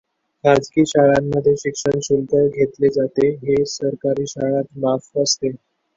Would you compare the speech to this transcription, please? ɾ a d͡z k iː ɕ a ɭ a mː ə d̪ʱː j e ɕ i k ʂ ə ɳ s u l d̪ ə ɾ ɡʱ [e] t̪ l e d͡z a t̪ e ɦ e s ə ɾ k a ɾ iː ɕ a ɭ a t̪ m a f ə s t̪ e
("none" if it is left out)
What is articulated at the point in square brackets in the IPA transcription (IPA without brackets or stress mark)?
e